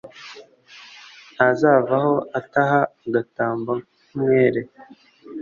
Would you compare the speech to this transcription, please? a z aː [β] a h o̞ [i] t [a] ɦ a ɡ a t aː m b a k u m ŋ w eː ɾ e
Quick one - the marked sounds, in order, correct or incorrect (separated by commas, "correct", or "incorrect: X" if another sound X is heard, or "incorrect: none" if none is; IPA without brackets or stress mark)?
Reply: incorrect: v, incorrect: a, correct